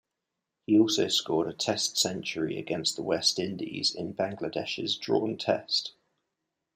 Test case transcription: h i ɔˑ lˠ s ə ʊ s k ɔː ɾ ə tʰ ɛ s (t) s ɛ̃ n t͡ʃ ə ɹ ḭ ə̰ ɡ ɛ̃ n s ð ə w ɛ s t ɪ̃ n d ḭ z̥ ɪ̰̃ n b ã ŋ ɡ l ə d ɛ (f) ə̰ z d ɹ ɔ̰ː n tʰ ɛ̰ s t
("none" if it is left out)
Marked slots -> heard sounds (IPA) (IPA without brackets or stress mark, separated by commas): t, ʃ